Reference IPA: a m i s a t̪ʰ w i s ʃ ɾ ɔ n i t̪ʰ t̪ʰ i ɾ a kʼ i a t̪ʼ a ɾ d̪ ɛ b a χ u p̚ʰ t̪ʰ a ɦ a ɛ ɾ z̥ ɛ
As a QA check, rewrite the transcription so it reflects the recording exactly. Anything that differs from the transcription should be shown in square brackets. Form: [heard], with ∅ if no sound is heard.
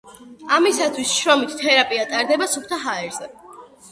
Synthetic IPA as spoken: a m i s a t̪ʰ w i s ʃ ɾ ɔ [m] i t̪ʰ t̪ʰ [ɛ] ɾ a [pʼ] i a t̪ʼ a ɾ d̪ ɛ b a [s] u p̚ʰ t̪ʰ a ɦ a ɛ ɾ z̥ ɛ